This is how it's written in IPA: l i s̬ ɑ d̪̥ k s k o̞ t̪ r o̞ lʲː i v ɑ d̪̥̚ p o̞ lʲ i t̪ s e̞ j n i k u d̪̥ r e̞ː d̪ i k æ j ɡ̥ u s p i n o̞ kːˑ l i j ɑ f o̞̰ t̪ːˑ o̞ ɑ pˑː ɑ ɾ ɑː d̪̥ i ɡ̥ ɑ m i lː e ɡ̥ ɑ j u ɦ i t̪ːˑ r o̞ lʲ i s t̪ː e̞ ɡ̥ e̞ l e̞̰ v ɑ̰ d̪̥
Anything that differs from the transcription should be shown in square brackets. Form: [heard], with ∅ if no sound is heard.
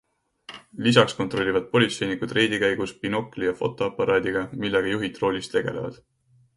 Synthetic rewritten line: l i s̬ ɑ [∅] k s k o̞ t̪ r o̞ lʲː i v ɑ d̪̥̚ p o̞ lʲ i t̪ s e̞ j n i k u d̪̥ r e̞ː d̪ i k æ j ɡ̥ u s p i n o̞ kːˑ l i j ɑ f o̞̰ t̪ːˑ o̞ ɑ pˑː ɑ ɾ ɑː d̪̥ i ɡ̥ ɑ m i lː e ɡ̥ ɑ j u ɦ i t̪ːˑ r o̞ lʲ i s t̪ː e̞ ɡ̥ e̞ l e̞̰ v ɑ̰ d̪̥